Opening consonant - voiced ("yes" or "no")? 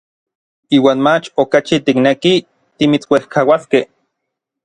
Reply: yes